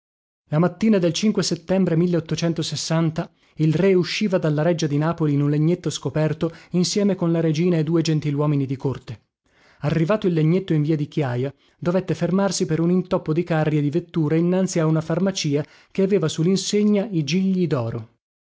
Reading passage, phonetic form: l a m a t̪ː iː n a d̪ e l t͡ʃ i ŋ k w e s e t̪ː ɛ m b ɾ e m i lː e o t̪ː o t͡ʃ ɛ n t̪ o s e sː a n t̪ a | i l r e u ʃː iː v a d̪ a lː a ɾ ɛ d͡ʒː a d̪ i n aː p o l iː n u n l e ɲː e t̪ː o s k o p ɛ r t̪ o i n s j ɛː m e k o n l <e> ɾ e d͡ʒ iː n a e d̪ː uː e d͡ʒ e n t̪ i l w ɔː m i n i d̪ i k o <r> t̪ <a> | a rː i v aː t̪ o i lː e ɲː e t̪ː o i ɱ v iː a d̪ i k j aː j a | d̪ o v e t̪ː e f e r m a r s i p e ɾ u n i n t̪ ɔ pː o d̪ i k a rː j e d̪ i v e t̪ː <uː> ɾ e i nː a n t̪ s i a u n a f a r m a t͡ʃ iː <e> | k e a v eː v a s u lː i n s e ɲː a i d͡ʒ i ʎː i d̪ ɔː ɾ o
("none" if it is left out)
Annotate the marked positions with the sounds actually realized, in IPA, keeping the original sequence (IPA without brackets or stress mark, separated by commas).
a, r, e, uː, a